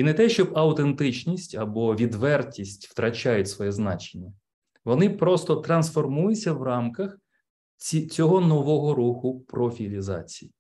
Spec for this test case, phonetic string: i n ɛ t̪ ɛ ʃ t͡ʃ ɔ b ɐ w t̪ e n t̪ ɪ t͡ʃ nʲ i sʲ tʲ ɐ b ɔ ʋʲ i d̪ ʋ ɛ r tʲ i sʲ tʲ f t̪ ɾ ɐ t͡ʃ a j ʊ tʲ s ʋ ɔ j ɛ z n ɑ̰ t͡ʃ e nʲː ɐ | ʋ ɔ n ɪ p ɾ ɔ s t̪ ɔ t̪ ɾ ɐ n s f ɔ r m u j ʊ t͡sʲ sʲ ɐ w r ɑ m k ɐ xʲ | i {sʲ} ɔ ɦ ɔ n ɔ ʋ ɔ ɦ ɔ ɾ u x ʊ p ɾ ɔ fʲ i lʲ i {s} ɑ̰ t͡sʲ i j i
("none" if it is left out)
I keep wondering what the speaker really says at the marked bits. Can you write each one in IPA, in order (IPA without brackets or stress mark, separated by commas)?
t͡sʲ, z